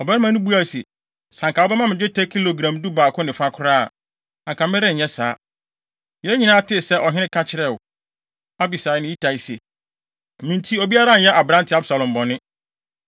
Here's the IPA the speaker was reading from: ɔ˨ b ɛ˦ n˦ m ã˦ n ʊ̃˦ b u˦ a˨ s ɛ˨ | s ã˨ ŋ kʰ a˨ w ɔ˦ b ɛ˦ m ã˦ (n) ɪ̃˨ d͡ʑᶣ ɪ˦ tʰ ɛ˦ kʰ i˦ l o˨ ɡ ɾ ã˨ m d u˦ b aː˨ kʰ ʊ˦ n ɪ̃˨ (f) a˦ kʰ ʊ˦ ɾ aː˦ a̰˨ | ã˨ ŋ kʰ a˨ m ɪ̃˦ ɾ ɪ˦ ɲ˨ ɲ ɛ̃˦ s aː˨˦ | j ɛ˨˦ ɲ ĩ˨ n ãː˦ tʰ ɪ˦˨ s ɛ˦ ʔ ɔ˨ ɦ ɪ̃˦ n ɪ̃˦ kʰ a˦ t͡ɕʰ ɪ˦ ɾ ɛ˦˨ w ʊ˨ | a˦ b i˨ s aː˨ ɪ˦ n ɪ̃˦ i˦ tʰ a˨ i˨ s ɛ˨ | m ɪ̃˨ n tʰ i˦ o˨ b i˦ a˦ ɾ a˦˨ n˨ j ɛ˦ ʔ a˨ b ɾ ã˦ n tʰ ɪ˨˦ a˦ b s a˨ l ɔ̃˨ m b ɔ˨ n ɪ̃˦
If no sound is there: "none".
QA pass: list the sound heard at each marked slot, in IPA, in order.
m, f

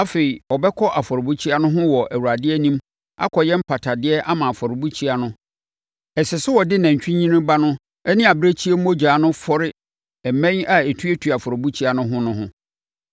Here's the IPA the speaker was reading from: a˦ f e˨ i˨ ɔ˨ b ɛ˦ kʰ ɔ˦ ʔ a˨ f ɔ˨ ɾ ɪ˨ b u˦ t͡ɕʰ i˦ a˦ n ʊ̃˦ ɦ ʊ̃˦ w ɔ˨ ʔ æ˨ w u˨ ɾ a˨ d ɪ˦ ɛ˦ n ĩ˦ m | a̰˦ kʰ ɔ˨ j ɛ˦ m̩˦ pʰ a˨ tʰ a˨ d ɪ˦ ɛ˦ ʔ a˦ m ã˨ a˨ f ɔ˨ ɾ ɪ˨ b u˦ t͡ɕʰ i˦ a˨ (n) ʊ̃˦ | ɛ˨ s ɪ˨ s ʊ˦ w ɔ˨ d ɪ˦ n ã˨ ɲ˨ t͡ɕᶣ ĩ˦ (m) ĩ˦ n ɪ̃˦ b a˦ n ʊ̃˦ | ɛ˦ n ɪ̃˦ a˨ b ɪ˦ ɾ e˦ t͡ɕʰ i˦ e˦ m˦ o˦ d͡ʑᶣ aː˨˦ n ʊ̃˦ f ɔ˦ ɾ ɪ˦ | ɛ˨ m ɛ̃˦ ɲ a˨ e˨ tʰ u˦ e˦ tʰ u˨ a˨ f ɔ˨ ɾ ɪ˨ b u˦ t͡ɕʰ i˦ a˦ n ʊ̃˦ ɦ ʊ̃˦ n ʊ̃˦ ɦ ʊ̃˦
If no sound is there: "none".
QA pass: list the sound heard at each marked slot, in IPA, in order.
n, ɲ

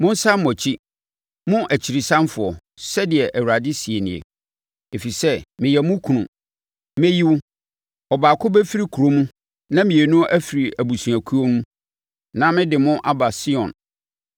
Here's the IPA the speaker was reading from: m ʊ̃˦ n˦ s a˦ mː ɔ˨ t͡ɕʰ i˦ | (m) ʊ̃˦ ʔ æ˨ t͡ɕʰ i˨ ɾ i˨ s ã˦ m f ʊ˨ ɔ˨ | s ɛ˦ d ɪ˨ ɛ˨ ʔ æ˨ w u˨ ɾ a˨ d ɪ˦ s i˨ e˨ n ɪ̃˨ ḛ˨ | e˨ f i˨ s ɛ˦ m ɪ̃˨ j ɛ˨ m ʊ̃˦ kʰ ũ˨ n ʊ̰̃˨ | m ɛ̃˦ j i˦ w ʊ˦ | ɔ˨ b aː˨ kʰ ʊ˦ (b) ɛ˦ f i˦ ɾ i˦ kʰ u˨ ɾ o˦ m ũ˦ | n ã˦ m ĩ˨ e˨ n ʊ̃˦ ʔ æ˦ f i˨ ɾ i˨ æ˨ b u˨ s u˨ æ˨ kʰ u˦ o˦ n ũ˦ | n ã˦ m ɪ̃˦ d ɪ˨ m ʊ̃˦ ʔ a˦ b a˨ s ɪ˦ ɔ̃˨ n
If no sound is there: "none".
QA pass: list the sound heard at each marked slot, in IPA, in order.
m, b

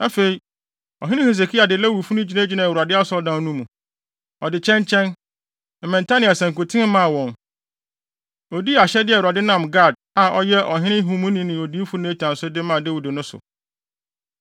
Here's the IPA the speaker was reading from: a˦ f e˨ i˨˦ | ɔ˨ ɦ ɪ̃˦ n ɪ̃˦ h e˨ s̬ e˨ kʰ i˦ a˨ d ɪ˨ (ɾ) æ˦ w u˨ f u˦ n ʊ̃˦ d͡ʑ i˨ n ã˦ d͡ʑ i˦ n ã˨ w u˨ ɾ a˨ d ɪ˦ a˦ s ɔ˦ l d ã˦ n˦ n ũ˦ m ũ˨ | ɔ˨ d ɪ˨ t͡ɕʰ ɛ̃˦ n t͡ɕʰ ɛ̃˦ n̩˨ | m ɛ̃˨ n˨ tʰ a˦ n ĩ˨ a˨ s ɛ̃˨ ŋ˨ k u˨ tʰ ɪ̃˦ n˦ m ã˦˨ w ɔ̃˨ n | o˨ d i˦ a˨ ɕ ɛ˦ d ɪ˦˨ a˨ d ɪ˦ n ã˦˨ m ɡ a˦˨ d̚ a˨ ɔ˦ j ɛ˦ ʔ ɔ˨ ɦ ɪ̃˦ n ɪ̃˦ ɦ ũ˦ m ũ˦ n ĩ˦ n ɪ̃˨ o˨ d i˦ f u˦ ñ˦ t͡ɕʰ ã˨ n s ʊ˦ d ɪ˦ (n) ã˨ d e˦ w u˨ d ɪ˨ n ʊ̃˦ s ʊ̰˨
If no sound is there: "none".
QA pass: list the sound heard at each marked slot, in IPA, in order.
l, m

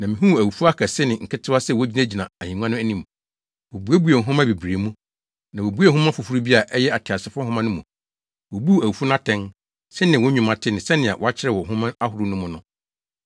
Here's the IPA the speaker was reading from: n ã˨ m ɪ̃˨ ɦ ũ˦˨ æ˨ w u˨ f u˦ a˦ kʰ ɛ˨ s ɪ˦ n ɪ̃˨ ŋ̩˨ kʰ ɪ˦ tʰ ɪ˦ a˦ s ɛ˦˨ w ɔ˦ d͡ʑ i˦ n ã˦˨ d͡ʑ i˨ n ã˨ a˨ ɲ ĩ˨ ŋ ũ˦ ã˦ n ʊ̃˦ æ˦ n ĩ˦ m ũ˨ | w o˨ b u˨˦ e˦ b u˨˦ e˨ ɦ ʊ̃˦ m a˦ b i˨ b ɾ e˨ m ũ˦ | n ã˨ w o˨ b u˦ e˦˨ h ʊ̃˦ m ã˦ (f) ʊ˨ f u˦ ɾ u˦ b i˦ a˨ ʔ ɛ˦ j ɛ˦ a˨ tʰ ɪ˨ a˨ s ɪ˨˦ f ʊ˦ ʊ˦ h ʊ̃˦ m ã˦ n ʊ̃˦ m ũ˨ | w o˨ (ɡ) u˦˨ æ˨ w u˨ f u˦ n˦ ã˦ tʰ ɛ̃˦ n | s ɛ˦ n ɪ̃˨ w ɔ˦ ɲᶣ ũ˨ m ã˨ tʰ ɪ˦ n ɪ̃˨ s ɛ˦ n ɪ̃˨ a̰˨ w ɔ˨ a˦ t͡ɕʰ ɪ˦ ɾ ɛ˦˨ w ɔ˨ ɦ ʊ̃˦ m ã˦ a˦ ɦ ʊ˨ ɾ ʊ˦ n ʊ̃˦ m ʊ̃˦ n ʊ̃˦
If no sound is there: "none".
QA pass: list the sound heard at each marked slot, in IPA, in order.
f, b

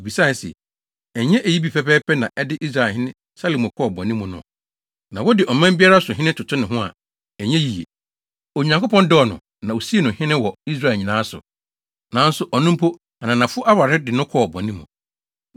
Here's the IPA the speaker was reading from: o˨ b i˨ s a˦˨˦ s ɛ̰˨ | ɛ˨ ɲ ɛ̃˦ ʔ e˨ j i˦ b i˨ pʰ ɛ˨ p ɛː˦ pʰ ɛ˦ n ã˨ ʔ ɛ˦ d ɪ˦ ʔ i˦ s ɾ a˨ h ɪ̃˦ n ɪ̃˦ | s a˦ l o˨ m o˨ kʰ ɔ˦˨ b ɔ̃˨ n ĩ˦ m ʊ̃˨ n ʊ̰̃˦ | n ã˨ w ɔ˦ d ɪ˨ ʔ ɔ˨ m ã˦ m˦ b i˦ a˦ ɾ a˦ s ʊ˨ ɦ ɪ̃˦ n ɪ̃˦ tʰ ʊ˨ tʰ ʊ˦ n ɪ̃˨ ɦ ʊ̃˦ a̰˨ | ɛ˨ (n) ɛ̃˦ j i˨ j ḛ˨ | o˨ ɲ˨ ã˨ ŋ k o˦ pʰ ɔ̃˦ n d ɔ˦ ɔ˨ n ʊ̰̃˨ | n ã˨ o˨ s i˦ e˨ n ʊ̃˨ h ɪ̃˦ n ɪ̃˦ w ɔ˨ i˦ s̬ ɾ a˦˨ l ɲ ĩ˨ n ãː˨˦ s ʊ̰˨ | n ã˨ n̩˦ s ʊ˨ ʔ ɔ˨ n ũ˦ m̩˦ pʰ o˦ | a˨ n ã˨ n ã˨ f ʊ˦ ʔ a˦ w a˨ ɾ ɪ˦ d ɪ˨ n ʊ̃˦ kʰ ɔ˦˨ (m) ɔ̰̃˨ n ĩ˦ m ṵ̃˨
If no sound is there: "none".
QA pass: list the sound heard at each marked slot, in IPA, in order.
ɲ, b

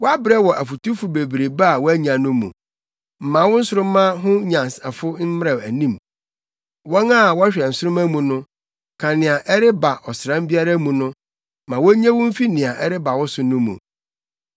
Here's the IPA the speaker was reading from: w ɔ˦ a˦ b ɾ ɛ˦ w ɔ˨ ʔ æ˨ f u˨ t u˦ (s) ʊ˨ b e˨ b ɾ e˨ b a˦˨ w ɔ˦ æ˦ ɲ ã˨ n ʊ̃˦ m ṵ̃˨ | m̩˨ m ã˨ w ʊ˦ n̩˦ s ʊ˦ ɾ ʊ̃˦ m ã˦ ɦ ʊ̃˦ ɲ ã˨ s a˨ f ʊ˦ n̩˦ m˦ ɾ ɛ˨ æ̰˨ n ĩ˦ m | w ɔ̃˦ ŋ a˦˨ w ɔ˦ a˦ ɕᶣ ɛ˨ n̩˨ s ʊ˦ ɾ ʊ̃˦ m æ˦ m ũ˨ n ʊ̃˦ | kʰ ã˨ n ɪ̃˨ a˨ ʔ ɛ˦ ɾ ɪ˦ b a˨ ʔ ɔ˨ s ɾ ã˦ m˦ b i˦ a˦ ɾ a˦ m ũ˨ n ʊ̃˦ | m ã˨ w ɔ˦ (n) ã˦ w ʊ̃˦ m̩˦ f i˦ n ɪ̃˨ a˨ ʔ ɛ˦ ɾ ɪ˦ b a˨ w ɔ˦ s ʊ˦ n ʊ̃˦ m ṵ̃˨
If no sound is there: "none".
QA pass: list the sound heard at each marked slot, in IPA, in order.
f, ɲ

